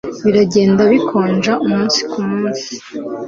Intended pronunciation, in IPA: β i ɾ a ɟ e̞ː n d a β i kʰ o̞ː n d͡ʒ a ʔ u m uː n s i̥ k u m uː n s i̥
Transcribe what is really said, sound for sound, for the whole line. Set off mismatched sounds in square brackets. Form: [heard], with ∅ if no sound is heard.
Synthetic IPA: β i ɾ a ɟ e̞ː n d a β i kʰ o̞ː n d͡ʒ a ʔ u m uː n s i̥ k u m uː n s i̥